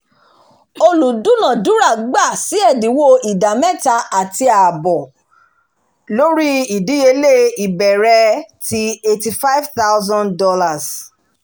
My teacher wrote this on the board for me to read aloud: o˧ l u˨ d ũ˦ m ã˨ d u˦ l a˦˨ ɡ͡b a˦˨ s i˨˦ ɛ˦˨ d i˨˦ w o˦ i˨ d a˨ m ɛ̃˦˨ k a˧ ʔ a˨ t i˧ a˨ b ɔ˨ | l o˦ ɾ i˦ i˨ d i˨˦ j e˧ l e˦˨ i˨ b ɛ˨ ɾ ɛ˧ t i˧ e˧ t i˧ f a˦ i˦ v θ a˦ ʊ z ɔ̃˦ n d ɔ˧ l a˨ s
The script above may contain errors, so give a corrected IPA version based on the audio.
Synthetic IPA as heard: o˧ l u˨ d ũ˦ n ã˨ d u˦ ɾ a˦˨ ɡ͡b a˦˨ s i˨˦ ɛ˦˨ d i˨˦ w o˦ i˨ d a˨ m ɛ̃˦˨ t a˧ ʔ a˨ t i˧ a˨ b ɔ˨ | l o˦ ɾ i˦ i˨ d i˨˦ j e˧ l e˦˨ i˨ b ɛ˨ ɾ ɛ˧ t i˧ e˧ t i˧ f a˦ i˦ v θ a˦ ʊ z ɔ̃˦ n d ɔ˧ l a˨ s